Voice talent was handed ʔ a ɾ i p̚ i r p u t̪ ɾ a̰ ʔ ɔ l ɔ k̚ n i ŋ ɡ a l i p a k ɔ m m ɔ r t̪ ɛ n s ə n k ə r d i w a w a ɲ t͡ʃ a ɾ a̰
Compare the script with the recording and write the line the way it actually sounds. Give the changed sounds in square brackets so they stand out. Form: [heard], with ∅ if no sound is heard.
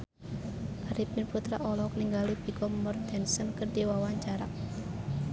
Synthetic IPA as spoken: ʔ a ɾ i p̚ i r p u t̪ ɾ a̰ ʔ ɔ l ɔ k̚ n i ŋ ɡ a l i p [i] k ɔ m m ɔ r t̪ ɛ n s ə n k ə r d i w a w a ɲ t͡ʃ a ɾ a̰